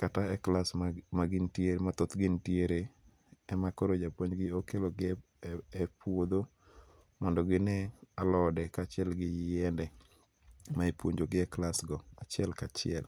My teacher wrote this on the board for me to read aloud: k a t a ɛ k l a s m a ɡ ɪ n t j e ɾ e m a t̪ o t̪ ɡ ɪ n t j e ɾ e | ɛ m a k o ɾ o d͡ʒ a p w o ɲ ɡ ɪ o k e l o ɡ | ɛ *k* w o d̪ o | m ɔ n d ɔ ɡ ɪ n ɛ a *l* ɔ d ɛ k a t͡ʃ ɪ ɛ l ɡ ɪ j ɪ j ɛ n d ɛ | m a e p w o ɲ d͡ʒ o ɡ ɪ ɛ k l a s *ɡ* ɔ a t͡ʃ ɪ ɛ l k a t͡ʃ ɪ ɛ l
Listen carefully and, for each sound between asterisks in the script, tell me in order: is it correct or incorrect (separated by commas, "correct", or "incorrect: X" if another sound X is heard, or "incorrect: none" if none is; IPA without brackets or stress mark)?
incorrect: p, correct, correct